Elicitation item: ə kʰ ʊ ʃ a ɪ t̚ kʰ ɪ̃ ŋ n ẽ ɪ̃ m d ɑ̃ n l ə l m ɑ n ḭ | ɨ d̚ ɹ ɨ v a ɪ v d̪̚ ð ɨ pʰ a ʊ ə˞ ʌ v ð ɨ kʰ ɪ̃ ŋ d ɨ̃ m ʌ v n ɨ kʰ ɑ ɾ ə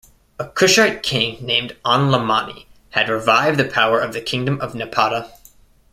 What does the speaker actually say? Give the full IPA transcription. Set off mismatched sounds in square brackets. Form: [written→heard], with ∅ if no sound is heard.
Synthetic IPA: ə kʰ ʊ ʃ a ɪ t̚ kʰ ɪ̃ ŋ n ẽ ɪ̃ m d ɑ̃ n l ə [l→∅] m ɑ n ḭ | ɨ d̚ ɹ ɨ v a ɪ v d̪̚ ð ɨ pʰ a ʊ ə˞ ʌ v ð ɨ kʰ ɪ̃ ŋ d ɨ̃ m ʌ v n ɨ [kʰ→pʰ] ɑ ɾ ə